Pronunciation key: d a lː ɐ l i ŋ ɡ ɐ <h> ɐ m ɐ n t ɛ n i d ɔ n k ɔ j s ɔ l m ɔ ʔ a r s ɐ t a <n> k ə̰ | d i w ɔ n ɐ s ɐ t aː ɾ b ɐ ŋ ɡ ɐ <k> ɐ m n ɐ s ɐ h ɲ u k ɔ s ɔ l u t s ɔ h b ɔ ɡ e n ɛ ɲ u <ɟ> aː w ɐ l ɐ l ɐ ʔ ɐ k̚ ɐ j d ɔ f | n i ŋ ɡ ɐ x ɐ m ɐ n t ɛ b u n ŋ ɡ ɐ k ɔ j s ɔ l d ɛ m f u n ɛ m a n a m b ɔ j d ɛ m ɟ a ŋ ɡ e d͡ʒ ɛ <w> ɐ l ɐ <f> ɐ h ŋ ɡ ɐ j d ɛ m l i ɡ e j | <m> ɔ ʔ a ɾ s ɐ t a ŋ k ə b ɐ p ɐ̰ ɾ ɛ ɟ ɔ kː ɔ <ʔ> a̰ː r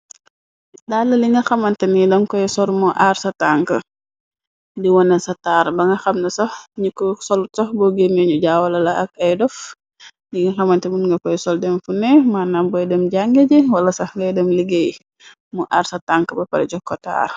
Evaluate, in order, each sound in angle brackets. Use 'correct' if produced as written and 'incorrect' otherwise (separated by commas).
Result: incorrect, incorrect, incorrect, correct, correct, incorrect, correct, incorrect